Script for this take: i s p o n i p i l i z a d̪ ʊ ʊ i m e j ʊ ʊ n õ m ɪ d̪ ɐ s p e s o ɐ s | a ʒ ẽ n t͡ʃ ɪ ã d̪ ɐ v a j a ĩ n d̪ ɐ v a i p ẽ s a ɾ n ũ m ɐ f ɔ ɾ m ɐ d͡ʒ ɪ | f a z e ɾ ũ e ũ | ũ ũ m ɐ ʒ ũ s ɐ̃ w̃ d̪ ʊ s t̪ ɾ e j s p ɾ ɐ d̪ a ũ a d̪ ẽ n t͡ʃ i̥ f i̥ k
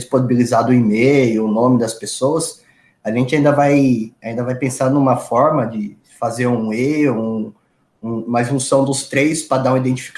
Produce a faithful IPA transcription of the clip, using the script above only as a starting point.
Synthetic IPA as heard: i s p o n i b i l i z a d̪ ʊ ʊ i m e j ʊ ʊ n õ m ɪ d̪ ɐ s p e s o ɐ s | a ʒ ẽ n t͡ʃ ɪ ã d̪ ɐ v a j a ĩ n d̪ ɐ v a j p ẽ s a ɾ n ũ m ɐ f ɔ ɾ m ɐ d͡ʒ ɪ | f a z e ɾ ũ e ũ | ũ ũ m ɐ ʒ ũ s ɐ̃ w̃ d̪ ʊ s t̪ ɾ e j s p ɾ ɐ d̪ a ũ i d̪ ẽ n t͡ʃ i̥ f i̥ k